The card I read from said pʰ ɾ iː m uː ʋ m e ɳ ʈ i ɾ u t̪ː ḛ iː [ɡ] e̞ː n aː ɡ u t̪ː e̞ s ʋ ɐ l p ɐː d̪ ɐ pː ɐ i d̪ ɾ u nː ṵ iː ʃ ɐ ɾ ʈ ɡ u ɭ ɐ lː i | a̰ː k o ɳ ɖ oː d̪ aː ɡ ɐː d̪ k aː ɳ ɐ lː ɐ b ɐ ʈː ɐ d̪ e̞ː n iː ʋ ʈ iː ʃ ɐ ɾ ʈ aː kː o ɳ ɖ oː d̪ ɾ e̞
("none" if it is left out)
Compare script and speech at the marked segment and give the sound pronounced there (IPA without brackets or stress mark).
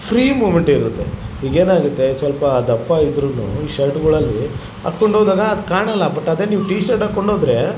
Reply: ɡ